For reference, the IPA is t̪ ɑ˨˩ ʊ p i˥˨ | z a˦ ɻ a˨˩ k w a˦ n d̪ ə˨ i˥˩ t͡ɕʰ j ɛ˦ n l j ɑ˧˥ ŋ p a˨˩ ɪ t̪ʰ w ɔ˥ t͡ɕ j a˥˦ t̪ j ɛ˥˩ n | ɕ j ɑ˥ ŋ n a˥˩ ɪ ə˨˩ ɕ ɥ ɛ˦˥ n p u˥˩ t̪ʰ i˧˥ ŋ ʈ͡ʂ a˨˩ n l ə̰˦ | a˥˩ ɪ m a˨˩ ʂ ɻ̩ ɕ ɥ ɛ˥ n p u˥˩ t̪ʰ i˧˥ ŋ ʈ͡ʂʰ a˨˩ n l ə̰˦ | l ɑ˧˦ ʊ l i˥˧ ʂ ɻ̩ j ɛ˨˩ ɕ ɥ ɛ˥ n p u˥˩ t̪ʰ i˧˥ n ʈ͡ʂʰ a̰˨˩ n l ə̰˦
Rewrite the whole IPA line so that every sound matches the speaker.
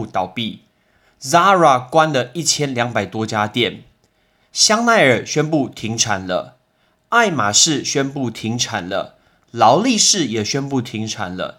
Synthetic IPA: t̪ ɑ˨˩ ʊ p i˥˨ | z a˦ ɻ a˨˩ k w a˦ n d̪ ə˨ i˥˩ t͡ɕʰ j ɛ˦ n l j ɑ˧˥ ŋ p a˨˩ ɪ t̪ w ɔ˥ t͡ɕ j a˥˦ t̪ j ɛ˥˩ n | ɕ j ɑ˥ ŋ n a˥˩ ɪ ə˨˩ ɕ ɥ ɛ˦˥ n p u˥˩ t̪ʰ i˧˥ ŋ ʈ͡ʂʰ a˨˩ n l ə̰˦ | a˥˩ ɪ m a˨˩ ʂ ɻ̩ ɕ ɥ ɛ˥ n p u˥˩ t̪ʰ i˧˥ ŋ ʈ͡ʂʰ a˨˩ n l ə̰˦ | l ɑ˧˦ ʊ l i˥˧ ʂ ɻ̩ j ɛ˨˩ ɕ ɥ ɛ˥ n p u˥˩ t̪ʰ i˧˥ ŋ ʈ͡ʂʰ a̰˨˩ n l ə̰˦